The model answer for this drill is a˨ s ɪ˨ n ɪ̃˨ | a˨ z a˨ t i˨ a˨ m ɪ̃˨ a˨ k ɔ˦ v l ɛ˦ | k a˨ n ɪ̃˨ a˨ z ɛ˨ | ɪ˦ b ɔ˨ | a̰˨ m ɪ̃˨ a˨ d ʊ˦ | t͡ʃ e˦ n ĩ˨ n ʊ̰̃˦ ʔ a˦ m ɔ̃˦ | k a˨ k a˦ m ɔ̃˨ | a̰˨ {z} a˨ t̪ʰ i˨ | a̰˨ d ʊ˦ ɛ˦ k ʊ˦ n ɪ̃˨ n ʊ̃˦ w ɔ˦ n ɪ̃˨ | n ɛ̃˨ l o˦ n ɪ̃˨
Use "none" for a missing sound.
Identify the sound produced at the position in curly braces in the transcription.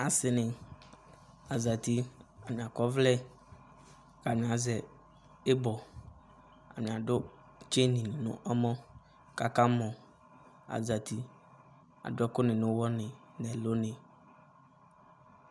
z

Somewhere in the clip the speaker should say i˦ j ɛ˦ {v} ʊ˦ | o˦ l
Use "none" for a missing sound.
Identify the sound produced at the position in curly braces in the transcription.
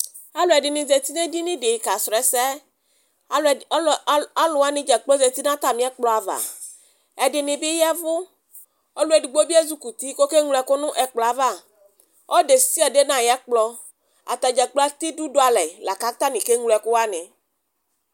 v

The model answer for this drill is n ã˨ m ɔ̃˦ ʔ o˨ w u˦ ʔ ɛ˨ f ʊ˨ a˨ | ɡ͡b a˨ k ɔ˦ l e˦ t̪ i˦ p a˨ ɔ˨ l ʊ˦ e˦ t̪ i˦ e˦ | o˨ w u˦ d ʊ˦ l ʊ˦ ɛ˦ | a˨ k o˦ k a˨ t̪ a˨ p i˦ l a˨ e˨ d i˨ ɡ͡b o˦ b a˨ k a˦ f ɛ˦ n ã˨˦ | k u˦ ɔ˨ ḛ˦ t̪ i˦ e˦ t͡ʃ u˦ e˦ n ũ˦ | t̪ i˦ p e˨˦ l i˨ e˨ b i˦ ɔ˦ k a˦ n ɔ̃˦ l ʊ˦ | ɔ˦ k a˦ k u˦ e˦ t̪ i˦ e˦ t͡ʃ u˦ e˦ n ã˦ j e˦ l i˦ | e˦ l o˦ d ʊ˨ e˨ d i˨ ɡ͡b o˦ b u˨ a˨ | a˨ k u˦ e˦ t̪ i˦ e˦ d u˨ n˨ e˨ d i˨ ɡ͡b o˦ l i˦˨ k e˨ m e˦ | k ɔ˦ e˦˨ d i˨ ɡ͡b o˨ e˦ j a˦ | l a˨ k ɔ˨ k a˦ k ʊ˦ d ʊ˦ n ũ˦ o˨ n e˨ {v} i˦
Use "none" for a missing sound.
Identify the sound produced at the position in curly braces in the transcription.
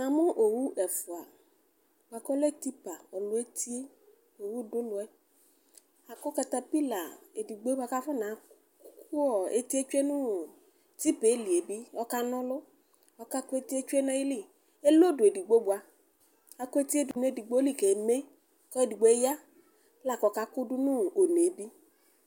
b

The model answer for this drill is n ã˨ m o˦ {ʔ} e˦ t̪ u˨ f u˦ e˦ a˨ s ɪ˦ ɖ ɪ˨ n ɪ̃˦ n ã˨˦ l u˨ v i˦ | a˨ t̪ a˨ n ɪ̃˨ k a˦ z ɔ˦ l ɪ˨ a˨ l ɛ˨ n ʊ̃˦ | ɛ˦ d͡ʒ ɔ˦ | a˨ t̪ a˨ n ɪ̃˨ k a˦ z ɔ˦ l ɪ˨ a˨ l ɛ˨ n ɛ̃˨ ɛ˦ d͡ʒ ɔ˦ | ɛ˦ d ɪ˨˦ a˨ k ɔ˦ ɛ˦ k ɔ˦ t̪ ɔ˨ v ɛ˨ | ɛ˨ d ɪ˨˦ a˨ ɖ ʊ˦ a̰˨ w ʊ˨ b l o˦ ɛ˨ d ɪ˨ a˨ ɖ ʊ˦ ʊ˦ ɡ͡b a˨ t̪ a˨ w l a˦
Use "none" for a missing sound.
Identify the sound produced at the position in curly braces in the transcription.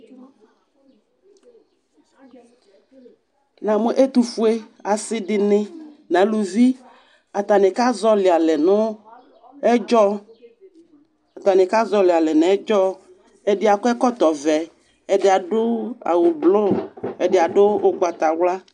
ʔ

